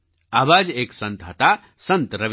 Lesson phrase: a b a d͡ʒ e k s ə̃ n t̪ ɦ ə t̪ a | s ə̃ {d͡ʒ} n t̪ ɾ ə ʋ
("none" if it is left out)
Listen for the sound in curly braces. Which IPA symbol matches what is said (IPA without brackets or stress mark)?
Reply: none